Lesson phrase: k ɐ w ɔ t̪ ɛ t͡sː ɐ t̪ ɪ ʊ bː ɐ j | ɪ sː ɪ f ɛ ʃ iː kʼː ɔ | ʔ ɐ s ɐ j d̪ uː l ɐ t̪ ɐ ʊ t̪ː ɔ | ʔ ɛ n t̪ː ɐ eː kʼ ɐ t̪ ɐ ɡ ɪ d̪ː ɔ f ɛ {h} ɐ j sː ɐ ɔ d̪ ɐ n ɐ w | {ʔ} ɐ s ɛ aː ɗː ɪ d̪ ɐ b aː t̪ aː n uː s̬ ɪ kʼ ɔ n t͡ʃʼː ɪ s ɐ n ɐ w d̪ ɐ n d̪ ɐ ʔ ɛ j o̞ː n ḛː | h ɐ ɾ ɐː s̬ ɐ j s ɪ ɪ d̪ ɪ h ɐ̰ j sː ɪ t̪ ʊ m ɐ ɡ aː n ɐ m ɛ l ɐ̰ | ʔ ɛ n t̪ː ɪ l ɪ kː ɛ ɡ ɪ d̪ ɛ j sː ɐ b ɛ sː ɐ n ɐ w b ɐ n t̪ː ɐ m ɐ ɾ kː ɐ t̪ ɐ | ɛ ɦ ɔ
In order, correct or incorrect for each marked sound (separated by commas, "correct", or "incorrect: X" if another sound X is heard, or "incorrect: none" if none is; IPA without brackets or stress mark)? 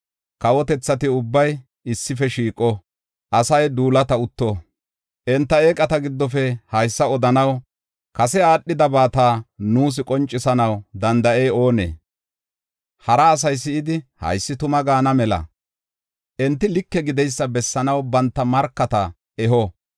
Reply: correct, incorrect: k